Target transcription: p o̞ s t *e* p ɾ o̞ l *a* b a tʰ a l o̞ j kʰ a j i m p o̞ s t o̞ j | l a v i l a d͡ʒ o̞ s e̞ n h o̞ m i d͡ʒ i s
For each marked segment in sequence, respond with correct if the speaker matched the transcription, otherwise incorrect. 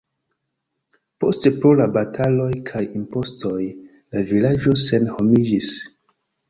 correct, correct

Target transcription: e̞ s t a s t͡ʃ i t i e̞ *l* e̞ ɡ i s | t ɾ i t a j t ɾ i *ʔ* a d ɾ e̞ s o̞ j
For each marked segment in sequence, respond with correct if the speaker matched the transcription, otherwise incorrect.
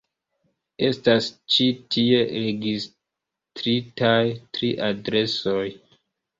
incorrect: ɾ, correct

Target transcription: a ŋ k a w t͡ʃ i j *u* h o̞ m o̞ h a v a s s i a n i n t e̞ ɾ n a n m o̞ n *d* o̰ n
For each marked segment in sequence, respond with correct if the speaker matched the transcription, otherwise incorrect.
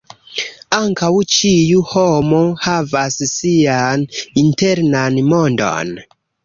correct, correct

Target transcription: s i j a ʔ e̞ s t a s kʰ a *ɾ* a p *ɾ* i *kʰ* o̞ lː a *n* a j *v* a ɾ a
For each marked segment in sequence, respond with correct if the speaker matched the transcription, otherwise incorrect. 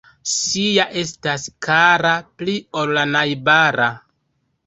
correct, incorrect: l, incorrect: none, correct, incorrect: b

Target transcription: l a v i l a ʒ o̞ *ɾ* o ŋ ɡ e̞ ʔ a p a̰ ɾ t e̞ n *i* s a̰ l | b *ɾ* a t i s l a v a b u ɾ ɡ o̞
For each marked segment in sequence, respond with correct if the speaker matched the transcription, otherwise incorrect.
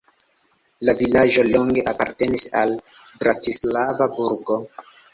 incorrect: l, correct, correct

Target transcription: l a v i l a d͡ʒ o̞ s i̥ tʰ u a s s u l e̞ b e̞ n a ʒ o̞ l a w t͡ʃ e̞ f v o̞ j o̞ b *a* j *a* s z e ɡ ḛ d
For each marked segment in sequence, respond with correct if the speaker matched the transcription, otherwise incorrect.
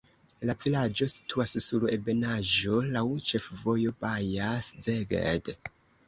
correct, correct

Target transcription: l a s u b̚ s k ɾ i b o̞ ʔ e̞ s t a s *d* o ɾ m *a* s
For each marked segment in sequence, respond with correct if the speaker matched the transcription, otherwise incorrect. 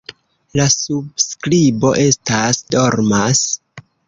correct, correct

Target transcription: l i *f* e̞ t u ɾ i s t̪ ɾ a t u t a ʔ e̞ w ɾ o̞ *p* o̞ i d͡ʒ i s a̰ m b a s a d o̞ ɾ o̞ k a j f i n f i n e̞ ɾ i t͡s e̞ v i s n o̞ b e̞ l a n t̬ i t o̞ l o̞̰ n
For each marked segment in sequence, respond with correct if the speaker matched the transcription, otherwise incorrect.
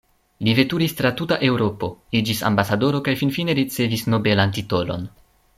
incorrect: v, correct

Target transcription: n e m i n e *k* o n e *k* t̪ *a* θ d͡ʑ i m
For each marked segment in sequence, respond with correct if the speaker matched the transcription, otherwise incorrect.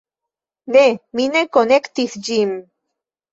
correct, correct, incorrect: i

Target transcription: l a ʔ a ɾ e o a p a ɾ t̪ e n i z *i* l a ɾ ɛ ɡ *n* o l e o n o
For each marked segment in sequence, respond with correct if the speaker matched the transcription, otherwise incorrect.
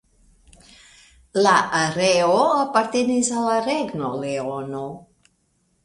incorrect: a, correct

